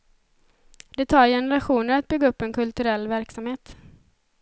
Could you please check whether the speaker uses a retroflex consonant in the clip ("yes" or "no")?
no